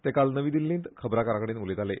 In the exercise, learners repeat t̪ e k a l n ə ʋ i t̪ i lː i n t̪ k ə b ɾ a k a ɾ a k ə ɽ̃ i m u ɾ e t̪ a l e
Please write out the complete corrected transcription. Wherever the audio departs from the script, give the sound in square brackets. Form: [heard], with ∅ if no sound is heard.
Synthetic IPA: t̪ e k a l n ə ʋ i [d̪] i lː i n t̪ [kʰ] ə b ɾ a k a ɾ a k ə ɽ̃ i [n] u [l] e t̪ a l e